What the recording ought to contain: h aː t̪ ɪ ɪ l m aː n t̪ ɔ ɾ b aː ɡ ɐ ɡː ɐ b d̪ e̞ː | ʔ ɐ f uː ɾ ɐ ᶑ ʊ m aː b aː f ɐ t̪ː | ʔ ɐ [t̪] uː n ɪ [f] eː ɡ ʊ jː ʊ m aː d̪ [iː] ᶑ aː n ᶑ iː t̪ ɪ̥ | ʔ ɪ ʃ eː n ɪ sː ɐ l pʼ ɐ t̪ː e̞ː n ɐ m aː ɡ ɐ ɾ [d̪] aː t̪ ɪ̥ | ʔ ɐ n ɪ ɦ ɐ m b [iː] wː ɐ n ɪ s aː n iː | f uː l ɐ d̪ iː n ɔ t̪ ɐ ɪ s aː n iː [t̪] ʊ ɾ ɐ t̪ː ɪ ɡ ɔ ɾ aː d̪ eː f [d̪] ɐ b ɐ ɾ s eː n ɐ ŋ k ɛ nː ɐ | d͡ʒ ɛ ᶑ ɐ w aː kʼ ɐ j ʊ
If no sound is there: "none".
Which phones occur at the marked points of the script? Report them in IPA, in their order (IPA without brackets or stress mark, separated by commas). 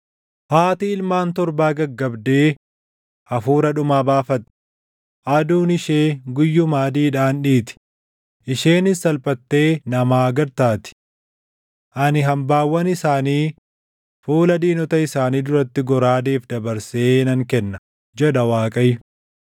d̪, ʃ, iː, t̪, aː, d̪, d̪